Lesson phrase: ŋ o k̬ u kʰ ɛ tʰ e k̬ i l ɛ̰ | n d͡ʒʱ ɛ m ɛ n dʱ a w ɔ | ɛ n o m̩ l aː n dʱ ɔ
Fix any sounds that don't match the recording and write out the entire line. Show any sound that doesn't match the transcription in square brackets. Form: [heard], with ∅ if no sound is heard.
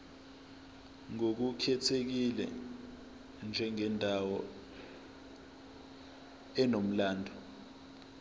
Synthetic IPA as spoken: ŋ o k̬ u kʰ ɛ tʰ e k̬ i l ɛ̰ | n d͡ʒʱ ɛ [ŋ] ɛ n dʱ a w ɔ | ɛ n o m̩ l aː n dʱ ɔ